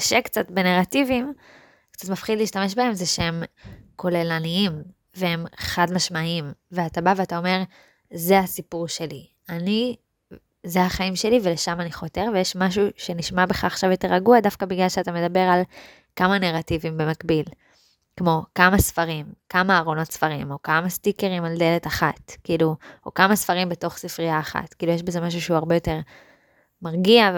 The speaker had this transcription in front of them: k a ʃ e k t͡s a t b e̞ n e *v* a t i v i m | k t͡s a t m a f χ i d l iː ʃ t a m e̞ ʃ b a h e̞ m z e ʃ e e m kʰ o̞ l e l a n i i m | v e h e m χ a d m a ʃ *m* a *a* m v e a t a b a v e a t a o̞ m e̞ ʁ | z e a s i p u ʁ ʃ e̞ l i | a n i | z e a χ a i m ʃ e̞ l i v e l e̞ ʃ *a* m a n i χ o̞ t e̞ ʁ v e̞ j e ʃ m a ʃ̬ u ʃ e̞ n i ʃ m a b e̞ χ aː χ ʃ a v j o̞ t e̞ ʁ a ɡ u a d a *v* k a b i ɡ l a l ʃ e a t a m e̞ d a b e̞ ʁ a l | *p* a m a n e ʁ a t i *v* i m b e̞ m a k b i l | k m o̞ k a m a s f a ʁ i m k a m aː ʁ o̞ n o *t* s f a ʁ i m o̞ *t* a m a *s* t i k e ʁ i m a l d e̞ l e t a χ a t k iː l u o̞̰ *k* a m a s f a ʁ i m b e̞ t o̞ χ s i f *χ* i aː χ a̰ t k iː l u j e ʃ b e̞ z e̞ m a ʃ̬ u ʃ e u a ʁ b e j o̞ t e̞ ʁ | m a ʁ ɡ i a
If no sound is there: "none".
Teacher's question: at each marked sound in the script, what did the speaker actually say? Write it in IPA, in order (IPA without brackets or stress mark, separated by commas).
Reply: ʁ, m, i, a, f, k, v, t, k, s, k, ʁ